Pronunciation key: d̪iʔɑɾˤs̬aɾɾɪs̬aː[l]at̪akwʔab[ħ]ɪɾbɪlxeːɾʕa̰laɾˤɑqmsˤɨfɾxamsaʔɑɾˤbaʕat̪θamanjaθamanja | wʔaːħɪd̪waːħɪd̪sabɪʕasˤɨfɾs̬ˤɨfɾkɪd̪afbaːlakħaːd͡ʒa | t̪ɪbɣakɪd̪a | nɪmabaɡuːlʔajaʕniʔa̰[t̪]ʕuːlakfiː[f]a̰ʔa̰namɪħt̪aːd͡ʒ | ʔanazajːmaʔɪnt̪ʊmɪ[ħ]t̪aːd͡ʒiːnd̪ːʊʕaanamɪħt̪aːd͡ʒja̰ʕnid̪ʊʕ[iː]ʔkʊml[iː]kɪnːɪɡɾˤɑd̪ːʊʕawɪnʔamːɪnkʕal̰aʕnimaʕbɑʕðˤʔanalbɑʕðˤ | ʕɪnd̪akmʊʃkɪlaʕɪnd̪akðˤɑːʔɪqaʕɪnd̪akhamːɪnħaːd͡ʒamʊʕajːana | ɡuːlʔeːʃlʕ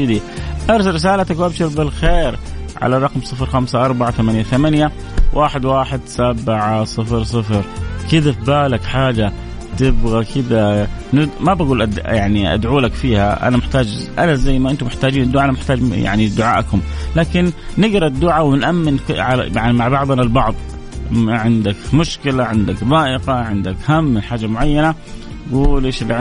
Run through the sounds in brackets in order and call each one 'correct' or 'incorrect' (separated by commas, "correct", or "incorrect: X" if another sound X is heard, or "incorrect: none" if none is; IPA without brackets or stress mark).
correct, incorrect: ʃ, incorrect: d̪, incorrect: h, correct, incorrect: aː, incorrect: aː